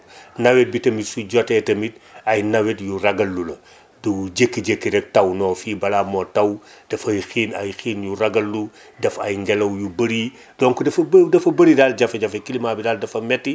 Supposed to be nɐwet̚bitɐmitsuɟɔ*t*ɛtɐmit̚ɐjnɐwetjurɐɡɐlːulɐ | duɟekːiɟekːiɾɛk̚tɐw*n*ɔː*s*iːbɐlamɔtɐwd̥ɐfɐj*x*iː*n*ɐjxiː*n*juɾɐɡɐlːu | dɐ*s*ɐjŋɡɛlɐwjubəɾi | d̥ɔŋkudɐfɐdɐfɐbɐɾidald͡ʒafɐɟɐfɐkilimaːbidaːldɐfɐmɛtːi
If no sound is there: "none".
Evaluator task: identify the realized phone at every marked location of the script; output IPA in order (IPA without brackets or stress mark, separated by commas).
t, n, f, x, n, n, f